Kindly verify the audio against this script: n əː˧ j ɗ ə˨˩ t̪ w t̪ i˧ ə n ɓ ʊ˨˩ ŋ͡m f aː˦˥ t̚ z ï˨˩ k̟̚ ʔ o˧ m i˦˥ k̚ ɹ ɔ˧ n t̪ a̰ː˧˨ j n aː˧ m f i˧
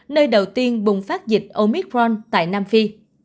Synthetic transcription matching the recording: n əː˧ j ɗ ə˨˩ w t̪ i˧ ə n ɓ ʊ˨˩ ŋ͡m f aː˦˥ t̚ z ï˨˩ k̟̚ ʔ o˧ m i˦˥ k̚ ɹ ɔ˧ n t̪ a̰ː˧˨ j n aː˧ m f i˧